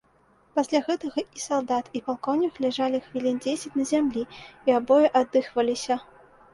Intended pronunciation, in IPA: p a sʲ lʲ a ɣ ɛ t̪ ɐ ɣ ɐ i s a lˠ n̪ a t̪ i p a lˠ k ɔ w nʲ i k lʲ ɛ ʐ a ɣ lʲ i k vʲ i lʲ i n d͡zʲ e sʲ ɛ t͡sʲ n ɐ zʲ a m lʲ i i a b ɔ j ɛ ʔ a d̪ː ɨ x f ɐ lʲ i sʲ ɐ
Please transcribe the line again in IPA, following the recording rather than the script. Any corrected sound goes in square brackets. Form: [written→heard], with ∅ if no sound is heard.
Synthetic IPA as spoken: p a sʲ lʲ a ɣ ɛ t̪ ɐ ɣ ɐ i s a lˠ [n̪→d̪] a t̪ i p a lˠ k ɔ w nʲ i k lʲ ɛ ʐ a [ɣ→∅] lʲ i [k→x] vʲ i lʲ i n d͡zʲ e sʲ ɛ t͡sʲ n ɐ zʲ a m lʲ i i a b ɔ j ɛ ʔ a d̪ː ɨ x [f→v] ɐ lʲ i sʲ ɐ